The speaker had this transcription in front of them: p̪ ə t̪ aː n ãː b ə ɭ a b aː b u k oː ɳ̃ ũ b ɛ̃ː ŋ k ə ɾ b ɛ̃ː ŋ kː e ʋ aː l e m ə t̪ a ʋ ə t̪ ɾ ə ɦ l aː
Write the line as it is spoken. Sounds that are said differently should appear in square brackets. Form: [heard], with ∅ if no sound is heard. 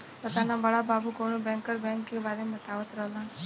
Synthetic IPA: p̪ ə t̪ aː n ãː b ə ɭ a b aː b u k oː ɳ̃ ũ b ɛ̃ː ŋ k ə ɾ b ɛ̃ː ŋ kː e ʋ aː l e m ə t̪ a ʋ ə t̪ ɾ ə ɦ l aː